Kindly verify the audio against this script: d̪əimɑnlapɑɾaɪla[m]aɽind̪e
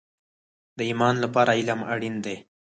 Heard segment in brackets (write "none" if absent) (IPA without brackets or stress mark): m